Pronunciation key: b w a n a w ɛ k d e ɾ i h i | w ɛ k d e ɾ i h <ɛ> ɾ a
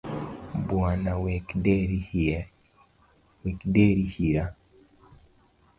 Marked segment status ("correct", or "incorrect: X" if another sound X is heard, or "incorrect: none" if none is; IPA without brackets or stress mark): incorrect: i